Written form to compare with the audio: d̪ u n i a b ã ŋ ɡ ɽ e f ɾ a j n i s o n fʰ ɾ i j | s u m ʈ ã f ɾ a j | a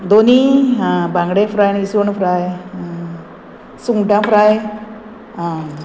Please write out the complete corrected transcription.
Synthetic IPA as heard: d̪ o n i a b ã ŋ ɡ ɽ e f ɾ a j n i s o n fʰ ɾ a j | s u ŋ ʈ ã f ɾ a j | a